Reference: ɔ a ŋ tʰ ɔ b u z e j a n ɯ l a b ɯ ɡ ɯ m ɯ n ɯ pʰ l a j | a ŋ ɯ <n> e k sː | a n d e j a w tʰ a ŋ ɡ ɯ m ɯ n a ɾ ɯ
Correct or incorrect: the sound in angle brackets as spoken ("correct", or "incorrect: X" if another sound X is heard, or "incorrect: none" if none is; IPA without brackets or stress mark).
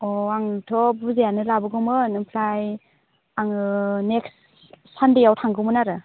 correct